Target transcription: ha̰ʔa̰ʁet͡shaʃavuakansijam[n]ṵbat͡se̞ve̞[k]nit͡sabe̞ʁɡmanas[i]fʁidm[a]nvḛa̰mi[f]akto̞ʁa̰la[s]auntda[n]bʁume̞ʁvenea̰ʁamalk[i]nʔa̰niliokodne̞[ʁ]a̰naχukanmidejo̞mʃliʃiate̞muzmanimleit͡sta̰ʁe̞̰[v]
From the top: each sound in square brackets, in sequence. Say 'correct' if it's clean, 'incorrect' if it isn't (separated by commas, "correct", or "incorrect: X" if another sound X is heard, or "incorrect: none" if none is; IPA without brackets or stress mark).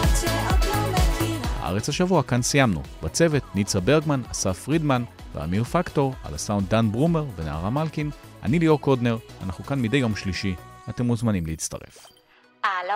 correct, incorrect: t, incorrect: a, correct, correct, correct, correct, correct, correct, incorrect: f